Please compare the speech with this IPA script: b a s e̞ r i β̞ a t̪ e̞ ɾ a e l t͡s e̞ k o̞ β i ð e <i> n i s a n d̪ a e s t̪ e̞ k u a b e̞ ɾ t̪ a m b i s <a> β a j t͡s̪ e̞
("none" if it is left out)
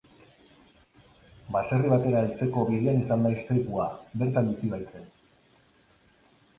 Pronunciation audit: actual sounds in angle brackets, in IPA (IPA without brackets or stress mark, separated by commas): a, i